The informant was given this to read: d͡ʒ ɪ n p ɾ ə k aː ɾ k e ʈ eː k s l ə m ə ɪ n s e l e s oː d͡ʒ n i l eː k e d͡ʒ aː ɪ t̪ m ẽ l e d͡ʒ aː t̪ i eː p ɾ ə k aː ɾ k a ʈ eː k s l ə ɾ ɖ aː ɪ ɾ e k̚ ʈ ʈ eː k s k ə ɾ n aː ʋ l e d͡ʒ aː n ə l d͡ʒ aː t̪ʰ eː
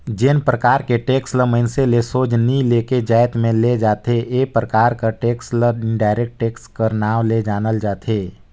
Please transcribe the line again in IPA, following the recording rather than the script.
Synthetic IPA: d͡ʒ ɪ n p ɾ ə k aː ɾ k e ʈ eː k s l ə m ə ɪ n s e l e s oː d͡ʒ n i l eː k e d͡ʒ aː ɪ t̪ m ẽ l e d͡ʒ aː t̪ e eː p ɾ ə k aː ɾ k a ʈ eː k s l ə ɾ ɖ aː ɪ ɾ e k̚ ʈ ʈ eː k s k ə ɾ n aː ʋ l e d͡ʒ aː n ə l d͡ʒ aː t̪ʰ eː